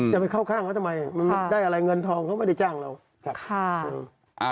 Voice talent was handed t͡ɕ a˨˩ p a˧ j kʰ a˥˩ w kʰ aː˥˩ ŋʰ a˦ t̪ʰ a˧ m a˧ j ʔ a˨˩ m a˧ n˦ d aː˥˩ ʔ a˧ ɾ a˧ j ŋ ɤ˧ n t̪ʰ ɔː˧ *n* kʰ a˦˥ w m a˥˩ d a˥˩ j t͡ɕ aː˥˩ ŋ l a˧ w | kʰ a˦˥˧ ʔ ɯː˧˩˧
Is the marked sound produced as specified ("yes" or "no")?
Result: no